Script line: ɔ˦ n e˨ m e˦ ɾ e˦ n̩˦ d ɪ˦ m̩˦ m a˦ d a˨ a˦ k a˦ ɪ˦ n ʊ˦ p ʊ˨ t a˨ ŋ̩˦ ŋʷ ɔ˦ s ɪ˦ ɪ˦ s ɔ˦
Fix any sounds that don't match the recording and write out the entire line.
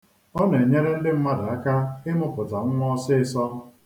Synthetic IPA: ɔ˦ n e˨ ɲ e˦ ɾ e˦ n̩˦ d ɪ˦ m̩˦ m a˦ d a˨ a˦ k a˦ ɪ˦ m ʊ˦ p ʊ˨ t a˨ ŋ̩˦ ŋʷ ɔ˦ s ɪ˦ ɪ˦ s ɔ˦